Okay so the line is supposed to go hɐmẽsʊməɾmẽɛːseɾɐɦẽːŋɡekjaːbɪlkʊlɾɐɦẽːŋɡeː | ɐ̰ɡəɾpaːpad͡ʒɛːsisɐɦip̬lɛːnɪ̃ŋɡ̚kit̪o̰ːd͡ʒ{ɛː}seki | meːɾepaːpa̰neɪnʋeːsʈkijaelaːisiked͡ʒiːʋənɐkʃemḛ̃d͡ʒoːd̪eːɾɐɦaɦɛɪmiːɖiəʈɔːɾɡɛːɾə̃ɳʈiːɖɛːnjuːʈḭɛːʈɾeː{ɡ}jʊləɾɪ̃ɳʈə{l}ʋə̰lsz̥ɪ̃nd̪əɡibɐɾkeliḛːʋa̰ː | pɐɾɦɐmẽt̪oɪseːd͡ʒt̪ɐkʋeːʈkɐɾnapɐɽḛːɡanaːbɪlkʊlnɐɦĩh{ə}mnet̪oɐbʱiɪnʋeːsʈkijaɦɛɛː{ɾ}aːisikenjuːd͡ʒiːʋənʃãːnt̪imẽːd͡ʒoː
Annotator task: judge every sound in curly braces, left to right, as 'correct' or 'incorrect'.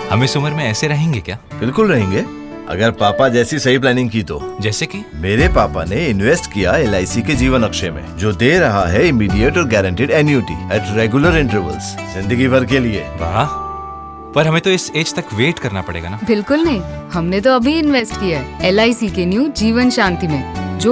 correct, correct, incorrect, incorrect, incorrect

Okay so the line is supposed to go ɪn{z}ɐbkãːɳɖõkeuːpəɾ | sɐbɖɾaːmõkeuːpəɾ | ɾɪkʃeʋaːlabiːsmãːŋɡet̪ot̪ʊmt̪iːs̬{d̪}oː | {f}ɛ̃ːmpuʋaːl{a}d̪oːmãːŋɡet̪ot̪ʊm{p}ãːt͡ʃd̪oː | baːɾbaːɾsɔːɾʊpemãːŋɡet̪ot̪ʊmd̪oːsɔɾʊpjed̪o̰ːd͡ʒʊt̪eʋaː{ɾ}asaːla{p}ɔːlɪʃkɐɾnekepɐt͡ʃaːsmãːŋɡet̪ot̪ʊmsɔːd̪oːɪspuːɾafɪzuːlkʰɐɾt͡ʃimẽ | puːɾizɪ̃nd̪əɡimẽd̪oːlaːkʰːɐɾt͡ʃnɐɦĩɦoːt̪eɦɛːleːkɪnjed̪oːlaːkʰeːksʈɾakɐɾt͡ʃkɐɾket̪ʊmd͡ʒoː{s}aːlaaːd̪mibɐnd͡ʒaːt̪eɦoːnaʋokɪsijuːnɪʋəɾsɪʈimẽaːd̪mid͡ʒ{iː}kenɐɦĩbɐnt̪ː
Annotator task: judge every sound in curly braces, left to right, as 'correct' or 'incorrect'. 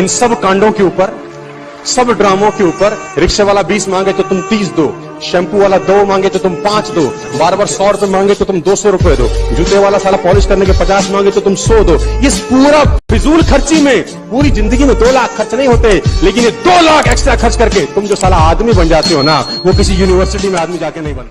incorrect, correct, incorrect, correct, correct, incorrect, correct, correct, incorrect

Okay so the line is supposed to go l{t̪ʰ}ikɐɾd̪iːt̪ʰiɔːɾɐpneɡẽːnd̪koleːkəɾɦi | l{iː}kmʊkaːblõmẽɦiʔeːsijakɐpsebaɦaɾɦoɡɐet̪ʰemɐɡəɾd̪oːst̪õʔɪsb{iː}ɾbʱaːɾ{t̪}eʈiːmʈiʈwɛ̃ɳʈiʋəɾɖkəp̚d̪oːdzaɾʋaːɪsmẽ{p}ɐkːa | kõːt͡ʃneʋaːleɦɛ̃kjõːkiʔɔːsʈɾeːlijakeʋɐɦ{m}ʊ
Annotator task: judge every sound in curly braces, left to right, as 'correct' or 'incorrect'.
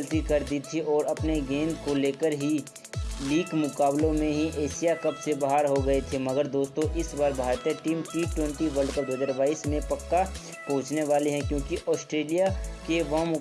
incorrect, correct, incorrect, correct, correct, correct

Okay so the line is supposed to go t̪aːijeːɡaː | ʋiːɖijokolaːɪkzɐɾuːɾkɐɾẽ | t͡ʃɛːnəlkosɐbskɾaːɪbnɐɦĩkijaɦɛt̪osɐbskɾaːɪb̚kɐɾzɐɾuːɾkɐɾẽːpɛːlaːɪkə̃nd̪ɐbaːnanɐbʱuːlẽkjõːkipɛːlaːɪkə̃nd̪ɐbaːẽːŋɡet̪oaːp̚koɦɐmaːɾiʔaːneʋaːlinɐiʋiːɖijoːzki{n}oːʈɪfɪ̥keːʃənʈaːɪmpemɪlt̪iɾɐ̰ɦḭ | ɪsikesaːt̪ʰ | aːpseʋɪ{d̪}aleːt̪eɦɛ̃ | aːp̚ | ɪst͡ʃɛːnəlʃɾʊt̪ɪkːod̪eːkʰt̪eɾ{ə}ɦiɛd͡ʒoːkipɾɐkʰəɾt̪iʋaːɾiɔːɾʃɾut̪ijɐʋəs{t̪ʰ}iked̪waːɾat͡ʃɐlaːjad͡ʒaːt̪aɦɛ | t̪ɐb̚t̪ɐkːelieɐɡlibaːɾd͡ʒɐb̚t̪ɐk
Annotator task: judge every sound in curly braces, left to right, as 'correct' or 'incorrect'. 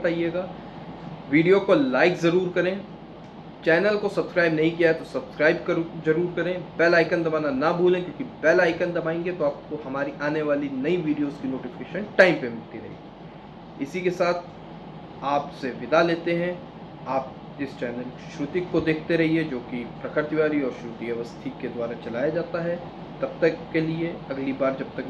correct, correct, incorrect, correct

